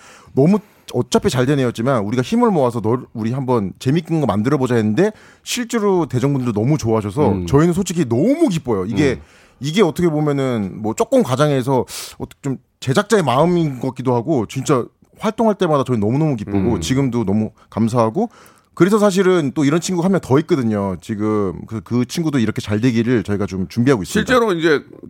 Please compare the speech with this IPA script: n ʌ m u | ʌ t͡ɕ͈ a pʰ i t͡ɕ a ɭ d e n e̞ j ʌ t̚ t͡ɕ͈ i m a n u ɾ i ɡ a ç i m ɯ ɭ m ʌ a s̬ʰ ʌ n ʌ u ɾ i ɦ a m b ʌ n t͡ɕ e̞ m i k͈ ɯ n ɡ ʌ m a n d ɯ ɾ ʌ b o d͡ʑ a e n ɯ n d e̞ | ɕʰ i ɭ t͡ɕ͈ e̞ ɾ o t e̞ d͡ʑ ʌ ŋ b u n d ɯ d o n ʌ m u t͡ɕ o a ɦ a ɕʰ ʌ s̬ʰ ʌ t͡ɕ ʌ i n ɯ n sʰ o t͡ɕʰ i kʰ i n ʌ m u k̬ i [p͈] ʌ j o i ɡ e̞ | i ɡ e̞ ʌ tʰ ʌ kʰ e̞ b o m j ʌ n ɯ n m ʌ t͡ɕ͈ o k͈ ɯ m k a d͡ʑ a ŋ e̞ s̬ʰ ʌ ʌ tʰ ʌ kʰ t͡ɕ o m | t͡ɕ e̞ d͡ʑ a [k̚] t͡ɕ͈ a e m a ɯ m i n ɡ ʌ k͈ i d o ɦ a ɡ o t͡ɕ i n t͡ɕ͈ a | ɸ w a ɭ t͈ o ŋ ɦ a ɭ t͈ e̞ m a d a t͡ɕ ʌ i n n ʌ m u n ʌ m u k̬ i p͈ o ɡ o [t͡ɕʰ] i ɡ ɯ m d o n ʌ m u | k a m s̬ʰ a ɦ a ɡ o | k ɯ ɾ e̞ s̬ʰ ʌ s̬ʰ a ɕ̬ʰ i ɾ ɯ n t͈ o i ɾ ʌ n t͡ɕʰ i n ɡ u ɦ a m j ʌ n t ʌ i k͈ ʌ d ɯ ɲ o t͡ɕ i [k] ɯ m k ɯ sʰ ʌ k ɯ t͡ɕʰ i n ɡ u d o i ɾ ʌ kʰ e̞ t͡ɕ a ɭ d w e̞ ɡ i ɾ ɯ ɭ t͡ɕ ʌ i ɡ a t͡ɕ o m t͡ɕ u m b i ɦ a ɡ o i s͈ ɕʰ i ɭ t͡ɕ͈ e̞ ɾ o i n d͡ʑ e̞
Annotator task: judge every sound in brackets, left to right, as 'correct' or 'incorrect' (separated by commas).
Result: correct, correct, incorrect, incorrect